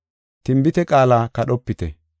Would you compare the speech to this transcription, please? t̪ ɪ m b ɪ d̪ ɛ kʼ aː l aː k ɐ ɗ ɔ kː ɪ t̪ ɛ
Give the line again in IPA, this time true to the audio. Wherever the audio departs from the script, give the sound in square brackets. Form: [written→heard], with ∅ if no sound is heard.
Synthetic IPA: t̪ ɪ m b ɪ [d̪→t̪] ɛ kʼ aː l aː k ɐ ɗ ɔ [kː→pː] ɪ t̪ ɛ